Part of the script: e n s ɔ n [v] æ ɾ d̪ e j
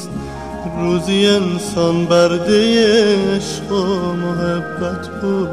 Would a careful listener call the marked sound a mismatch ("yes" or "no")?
yes